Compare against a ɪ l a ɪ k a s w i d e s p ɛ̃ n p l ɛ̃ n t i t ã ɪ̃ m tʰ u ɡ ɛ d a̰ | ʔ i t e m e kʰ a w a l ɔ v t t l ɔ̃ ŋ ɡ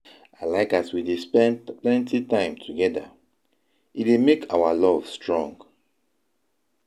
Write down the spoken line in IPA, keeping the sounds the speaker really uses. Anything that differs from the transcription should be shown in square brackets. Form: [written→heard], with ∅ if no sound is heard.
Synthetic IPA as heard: a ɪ l a ɪ k a s w i d e s p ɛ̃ n p l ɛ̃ n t i t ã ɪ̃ m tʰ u ɡ ɛ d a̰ | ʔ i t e m e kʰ a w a l ɔ v [t→s] t [l→ɹ] ɔ̃ ŋ ɡ

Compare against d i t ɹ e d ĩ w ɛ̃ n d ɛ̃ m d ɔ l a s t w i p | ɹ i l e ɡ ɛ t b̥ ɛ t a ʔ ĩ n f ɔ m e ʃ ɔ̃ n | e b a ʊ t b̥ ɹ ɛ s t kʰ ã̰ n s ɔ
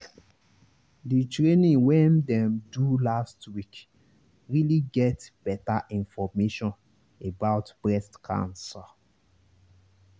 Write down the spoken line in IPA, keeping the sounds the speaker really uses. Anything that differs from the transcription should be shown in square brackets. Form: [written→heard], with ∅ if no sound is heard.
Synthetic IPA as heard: d i t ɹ e [d→n] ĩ w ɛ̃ n d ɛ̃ m d [ɔ→u] l a s t w i [p→k] | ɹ i l [e→i] ɡ ɛ t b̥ ɛ t a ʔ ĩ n f ɔ m e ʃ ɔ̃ n | e b a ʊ t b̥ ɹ ɛ s t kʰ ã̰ n s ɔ

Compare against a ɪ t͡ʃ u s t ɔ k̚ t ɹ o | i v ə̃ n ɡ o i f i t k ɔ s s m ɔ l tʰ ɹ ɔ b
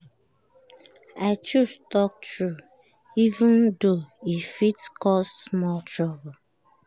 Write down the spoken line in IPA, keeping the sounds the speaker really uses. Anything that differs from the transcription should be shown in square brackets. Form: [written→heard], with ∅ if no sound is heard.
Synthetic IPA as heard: a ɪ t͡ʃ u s t ɔ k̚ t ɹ [o→u] | i v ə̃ n [ɡ→d] o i f i t k ɔ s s m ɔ l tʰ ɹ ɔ b

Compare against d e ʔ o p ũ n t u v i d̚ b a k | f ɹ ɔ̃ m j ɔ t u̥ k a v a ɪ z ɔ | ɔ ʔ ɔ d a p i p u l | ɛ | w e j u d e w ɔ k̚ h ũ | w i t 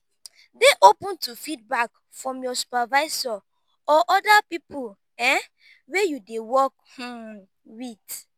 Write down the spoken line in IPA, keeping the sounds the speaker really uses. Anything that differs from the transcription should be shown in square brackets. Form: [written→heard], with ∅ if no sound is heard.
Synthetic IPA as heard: d e ʔ o p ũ n t u [v→f] i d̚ b a k | f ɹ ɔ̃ m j ɔ [t→s] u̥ [k→p] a v a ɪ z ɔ | ɔ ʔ ɔ d a p i p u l | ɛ | w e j u d e w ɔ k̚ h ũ | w i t

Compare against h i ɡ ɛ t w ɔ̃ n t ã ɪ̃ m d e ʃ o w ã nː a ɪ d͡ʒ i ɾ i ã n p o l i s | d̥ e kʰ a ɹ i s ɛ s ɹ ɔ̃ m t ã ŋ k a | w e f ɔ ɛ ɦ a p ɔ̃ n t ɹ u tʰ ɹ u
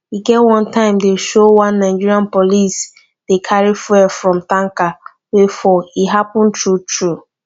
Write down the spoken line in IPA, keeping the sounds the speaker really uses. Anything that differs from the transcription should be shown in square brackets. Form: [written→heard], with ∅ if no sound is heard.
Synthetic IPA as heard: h i ɡ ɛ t w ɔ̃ n t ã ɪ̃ m d e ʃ o w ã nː a ɪ d͡ʒ i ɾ i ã n p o l i s | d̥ e kʰ a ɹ i [s→f] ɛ [s→f] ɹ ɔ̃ m t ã ŋ k a | w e f ɔ [ɛ→i] ɦ a p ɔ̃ n t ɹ u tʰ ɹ u

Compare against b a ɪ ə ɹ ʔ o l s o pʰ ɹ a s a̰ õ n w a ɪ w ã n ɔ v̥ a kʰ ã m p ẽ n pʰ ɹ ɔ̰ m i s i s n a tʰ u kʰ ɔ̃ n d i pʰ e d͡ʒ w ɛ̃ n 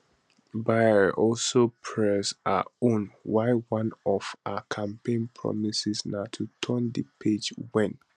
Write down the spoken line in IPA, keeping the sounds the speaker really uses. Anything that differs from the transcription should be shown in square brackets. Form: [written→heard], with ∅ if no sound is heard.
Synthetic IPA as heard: b a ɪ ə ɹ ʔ [o→ɔ] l s o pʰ ɹ [a→ɛ] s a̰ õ n w a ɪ w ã n ɔ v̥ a kʰ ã m p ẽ n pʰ ɹ ɔ̰ m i s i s n a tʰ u [kʰ→tʰ] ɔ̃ n d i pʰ e d͡ʒ w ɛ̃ n

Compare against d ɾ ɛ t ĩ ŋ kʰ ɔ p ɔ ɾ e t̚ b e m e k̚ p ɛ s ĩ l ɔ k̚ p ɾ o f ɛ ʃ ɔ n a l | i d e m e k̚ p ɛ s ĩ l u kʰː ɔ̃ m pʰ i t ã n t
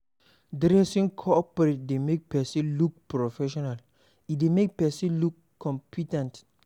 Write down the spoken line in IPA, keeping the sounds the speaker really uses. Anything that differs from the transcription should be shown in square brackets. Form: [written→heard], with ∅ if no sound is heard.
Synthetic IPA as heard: d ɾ ɛ [t→s] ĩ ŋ kʰ ɔ p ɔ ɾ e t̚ [b→d] e m e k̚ p ɛ s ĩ l [ɔ→u] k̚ p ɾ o f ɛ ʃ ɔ n a l | i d e m e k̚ p ɛ s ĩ l u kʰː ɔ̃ m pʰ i t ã n t

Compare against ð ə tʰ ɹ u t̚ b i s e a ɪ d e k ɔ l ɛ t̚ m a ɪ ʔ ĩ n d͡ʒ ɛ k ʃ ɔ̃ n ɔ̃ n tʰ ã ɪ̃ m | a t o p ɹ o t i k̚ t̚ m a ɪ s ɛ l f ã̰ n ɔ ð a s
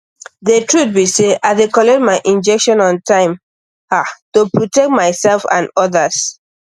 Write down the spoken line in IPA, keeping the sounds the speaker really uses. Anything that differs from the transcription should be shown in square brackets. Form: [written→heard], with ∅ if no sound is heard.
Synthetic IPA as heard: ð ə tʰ ɹ u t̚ b i s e a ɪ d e k ɔ l ɛ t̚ m a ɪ ʔ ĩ n d͡ʒ ɛ k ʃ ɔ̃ n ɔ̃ n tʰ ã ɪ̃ m | a t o p ɹ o t [i→ɛ] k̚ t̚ m a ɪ s ɛ l f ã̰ n ɔ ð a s

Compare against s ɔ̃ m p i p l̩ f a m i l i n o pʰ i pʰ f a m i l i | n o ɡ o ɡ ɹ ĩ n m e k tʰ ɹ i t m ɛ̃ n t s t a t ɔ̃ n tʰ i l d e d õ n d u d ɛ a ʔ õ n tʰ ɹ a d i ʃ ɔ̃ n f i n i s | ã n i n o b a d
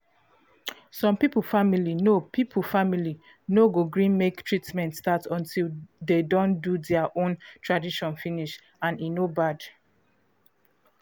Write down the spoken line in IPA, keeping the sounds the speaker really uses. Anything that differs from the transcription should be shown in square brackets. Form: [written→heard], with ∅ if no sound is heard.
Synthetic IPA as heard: s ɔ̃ m p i p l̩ f a m i l i n o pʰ i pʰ f a m i l i | n o ɡ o ɡ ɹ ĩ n m e k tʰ ɹ i t m ɛ̃ n t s t a t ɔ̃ n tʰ i l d e d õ n d u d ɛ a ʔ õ n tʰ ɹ a d i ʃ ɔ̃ n f i n i [s→ʃ] | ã n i n o b a d

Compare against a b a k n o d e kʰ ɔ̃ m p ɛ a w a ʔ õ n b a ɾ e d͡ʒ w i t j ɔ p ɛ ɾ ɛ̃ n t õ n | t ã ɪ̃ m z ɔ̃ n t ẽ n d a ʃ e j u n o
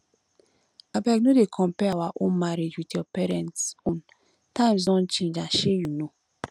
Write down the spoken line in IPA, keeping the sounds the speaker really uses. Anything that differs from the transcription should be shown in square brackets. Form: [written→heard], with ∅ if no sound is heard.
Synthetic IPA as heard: a b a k n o d e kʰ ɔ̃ m p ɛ a w a ʔ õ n [b→m] a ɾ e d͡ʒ w i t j ɔ p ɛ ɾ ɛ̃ n t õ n | t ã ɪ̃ m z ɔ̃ n [t→t͡ʃ] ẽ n [d→d͡ʒ] a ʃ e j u n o

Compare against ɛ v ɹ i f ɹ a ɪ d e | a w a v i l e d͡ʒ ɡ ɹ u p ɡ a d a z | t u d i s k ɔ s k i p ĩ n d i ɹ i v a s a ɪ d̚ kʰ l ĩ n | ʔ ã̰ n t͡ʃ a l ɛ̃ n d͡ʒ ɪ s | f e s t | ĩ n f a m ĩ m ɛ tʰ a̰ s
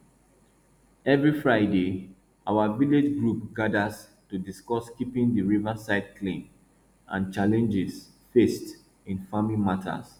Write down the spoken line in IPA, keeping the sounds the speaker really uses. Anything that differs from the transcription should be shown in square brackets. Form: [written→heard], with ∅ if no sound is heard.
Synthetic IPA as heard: ɛ v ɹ i f ɹ a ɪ d e | a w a v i l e d͡ʒ ɡ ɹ u p ɡ a d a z | t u d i s k ɔ s k i p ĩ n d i ɹ i v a s a ɪ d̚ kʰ l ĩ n | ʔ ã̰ n t͡ʃ a l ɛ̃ n d͡ʒ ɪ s | f e s t | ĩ n f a m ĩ m [ɛ→a] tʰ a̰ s

